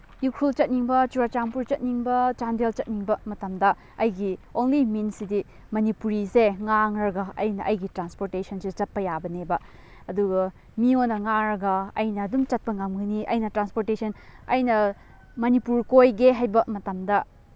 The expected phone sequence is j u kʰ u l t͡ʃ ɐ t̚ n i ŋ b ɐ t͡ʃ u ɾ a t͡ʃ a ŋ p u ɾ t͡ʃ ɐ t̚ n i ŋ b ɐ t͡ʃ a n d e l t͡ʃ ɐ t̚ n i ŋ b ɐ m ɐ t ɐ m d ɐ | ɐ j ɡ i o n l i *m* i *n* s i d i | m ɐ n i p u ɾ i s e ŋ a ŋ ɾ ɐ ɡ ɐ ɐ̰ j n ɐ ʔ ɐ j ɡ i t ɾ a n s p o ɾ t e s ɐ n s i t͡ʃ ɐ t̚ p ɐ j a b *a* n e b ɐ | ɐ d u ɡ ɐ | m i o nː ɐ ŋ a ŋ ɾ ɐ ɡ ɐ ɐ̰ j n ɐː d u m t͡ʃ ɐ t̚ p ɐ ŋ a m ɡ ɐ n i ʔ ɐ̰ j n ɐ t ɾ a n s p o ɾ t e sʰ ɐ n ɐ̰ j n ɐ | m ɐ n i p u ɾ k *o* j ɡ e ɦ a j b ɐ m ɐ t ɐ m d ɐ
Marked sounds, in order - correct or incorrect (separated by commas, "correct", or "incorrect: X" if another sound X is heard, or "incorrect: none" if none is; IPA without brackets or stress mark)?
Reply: correct, correct, incorrect: ɐ, correct